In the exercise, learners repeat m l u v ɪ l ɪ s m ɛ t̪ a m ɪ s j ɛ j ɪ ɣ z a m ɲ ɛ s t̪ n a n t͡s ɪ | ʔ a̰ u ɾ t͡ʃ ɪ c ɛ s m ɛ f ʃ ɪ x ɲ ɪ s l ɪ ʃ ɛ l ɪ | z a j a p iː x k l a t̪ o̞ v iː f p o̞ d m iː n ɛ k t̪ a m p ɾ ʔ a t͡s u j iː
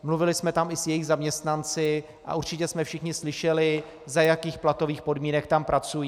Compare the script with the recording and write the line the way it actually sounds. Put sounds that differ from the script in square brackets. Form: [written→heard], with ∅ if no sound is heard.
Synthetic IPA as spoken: m l u v ɪ l ɪ s m ɛ t̪ a m ɪ s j ɛ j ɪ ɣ z a m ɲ ɛ s t̪ n a n t͡s ɪ | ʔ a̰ u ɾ t͡ʃ ɪ c ɛ s m ɛ f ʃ ɪ x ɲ ɪ s l ɪ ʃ ɛ l ɪ | z a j a [p→k] iː x [k→p] l a t̪ o̞ v iː [f→x] p o̞ d m iː n ɛ k t̪ a m p ɾ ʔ a t͡s u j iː